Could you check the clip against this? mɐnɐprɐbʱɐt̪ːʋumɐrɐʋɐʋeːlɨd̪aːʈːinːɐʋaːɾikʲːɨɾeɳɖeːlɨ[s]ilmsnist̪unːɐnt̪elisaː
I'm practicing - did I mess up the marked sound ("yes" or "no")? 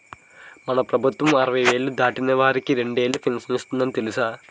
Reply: yes